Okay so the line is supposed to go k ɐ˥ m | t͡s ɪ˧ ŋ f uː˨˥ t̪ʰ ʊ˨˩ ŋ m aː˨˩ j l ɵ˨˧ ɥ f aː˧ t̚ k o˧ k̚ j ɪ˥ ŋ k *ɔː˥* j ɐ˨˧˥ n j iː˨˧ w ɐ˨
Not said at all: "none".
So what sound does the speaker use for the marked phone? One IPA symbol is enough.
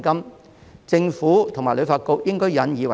ɔː˥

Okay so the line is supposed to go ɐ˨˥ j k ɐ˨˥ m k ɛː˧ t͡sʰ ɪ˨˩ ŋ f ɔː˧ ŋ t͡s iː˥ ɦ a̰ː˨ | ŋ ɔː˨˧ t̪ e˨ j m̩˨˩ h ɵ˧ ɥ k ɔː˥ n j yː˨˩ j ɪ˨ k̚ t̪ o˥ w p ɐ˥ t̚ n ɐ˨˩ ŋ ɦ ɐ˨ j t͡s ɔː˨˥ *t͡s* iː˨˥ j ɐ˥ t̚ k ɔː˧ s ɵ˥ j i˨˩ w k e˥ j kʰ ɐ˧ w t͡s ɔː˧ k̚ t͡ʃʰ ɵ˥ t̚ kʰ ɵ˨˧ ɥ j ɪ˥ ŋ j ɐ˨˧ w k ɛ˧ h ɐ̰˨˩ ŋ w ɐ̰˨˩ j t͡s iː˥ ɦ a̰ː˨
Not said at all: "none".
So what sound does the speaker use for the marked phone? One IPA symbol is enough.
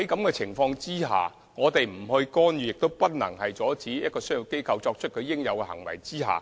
t͡s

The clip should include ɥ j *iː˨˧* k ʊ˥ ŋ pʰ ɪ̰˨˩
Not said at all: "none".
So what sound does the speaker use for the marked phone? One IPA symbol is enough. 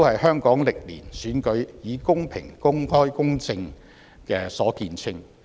iː˨˧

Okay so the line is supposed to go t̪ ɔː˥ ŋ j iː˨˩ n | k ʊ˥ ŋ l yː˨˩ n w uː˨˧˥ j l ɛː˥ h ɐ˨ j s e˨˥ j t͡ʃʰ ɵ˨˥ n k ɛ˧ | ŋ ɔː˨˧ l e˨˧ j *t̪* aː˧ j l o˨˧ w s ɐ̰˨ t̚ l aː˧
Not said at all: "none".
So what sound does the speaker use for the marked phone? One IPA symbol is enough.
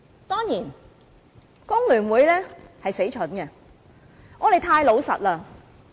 t̪ʰ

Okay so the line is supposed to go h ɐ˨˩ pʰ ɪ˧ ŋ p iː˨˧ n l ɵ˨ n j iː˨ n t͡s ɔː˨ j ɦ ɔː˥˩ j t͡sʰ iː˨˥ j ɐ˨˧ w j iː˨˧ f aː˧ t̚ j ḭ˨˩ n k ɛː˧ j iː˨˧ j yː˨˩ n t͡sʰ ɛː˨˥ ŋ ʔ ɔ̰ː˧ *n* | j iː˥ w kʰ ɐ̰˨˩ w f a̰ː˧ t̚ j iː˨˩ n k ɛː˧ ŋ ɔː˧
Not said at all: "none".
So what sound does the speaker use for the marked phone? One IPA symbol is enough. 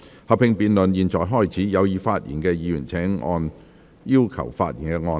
n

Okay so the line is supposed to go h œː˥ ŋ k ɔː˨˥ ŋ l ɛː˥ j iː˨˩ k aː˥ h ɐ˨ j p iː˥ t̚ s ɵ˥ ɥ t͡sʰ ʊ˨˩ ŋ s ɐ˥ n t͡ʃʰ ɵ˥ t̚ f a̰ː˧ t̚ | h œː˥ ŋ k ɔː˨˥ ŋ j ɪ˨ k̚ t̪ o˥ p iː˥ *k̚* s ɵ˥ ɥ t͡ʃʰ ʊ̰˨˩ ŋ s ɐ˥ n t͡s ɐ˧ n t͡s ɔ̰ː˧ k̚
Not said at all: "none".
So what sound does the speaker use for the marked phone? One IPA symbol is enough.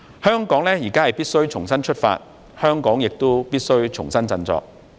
t̚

